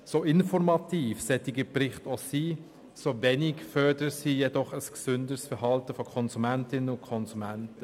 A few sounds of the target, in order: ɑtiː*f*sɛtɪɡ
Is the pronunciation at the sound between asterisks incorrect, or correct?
correct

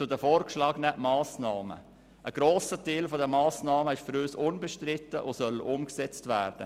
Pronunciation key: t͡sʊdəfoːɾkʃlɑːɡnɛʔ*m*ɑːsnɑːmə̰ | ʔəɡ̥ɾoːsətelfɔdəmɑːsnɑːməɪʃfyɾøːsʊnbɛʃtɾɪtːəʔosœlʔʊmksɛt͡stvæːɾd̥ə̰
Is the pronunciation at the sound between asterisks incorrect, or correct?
correct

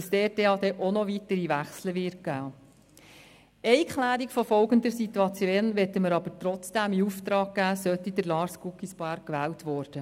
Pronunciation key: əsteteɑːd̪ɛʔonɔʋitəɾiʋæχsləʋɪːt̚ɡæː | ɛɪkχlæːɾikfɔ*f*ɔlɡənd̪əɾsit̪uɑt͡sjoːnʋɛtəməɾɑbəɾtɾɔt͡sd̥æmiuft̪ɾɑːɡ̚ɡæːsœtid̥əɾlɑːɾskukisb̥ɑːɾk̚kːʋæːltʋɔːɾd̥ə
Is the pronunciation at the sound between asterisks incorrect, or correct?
correct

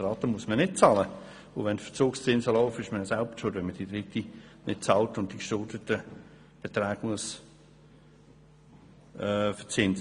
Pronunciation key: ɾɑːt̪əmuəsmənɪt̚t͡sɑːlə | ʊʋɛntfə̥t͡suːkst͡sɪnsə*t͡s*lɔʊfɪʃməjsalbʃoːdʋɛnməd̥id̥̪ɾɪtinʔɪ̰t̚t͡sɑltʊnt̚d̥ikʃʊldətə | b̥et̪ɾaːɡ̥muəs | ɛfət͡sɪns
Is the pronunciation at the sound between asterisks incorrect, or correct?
incorrect: none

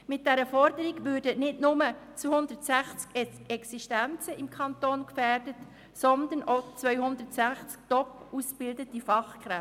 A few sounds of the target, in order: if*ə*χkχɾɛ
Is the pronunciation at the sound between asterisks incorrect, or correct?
incorrect: ɑ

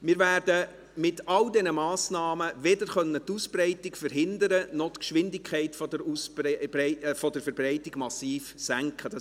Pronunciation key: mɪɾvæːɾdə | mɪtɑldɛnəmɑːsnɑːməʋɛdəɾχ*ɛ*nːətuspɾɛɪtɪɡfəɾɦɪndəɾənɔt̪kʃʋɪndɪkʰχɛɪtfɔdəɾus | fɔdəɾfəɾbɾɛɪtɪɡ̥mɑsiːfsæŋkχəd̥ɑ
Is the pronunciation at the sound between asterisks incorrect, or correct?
incorrect: œ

